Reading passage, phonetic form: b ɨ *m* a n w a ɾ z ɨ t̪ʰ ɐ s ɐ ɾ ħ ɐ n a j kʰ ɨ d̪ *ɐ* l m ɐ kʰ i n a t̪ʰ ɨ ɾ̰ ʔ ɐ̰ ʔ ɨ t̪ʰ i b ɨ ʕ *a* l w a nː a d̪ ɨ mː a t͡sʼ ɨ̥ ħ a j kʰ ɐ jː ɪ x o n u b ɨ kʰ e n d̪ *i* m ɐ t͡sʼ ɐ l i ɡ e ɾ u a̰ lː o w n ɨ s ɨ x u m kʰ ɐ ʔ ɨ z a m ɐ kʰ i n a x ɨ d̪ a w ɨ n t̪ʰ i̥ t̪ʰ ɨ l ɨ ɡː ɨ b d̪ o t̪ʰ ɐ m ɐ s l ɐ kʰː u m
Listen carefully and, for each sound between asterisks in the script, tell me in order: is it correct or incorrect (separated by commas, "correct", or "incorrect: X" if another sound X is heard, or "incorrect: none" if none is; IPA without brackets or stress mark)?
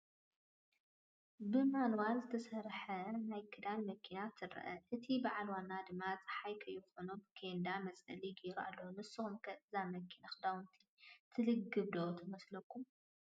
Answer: correct, incorrect: a, correct, incorrect: a